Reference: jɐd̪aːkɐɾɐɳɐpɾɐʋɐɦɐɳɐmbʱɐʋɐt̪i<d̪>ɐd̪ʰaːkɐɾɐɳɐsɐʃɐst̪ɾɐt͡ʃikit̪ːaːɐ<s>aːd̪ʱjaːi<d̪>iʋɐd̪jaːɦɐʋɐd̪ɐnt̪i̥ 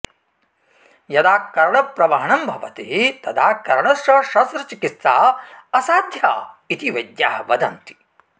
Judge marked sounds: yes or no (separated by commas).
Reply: no, yes, no